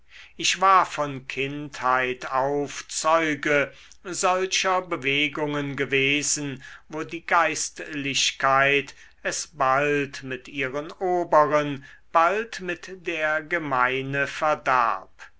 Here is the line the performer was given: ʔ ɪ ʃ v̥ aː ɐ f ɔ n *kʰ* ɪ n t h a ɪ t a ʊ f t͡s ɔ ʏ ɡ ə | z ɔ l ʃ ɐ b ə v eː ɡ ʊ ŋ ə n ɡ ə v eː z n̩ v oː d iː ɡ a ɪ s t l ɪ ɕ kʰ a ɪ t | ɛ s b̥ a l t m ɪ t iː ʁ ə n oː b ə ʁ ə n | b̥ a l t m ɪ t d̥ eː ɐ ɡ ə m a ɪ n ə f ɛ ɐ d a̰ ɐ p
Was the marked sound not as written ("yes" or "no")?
no